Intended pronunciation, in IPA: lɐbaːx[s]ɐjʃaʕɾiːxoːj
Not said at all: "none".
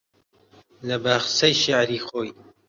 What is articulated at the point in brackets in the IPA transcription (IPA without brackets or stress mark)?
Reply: s